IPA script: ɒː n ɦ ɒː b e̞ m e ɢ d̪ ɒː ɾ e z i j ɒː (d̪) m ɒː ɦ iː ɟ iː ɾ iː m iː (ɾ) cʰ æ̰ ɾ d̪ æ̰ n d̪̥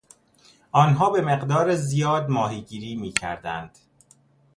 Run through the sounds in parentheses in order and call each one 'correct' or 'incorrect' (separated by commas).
correct, incorrect